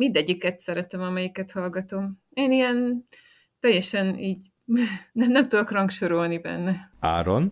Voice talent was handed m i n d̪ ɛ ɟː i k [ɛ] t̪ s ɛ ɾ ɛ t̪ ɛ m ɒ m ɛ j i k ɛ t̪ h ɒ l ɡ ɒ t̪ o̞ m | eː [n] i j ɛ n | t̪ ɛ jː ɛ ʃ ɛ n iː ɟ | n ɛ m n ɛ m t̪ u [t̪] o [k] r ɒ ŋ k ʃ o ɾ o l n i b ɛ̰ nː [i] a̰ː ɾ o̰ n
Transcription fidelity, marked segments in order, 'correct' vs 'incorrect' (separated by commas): correct, correct, incorrect, correct, incorrect